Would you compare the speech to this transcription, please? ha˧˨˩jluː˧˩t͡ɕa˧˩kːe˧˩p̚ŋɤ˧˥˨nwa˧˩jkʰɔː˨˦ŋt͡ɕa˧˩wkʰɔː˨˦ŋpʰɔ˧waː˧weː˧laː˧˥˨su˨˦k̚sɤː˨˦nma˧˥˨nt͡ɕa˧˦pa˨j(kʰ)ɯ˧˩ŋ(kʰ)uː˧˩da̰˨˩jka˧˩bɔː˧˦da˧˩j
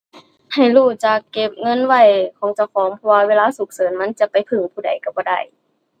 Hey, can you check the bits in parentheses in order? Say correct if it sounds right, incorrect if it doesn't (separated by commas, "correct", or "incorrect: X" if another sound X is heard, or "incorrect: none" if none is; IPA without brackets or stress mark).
incorrect: pʰ, incorrect: pʰ